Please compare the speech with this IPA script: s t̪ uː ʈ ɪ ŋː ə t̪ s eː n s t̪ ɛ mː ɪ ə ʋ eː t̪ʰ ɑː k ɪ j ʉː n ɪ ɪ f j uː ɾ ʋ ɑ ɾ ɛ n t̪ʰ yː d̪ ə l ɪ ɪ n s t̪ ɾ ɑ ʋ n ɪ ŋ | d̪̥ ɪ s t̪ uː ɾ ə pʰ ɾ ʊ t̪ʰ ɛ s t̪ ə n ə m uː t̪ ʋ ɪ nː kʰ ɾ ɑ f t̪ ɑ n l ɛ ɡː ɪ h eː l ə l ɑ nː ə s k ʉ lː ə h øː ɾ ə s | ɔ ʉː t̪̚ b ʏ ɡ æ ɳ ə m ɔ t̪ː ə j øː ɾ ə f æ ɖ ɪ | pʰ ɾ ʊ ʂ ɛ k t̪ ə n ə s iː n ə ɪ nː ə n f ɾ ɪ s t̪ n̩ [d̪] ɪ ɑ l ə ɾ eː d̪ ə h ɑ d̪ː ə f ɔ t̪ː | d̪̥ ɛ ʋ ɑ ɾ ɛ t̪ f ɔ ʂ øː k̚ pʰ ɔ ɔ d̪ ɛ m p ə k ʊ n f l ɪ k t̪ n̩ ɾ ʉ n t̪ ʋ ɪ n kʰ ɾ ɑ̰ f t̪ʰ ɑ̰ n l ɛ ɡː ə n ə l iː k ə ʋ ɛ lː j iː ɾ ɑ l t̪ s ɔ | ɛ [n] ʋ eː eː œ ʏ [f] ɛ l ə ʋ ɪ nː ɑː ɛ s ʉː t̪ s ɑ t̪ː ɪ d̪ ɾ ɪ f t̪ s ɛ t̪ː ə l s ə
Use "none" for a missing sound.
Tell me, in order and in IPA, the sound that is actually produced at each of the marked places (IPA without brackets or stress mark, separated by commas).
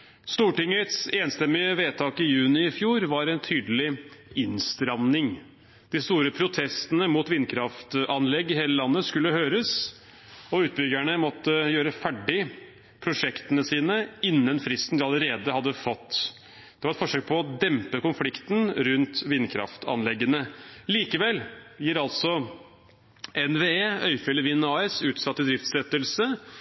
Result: d̪, n, f